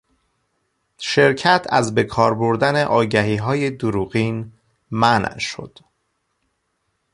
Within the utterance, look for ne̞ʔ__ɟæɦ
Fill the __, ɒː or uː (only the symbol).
ɒː